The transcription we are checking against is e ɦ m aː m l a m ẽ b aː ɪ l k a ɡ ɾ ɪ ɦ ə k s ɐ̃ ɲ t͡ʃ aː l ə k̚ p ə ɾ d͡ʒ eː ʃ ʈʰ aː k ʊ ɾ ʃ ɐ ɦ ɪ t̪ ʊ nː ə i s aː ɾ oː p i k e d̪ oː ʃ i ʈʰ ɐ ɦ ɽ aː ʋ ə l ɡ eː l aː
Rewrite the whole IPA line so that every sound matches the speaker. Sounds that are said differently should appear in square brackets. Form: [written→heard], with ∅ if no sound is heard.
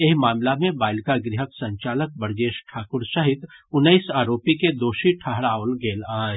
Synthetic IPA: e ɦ m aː m l a m ẽ b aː ɪ l k a ɡ ɾ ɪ ɦ ə k s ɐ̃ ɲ t͡ʃ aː l ə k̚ [p→b] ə ɾ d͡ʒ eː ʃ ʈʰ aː k ʊ ɾ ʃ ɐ ɦ ɪ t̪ ʊ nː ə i s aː ɾ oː p i k e d̪ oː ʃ i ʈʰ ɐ ɦ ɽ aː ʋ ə l ɡ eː l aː